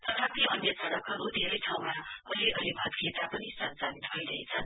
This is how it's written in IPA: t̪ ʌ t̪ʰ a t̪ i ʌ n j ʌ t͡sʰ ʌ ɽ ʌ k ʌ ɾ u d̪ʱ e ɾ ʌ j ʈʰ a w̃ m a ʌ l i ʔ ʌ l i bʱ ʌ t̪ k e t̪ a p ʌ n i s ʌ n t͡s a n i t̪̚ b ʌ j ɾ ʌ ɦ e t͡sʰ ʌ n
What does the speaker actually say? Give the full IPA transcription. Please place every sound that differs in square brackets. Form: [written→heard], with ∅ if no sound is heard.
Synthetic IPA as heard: t̪ ʌ t̪ʰ a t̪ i ʌ n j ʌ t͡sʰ ʌ ɽ ʌ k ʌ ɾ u d̪ʱ e ɾ ʌ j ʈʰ a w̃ m a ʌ l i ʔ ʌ l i bʱ ʌ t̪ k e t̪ a p ʌ n i s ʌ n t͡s a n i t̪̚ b ʌ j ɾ ʌ ɦ e t͡sʰ ʌ n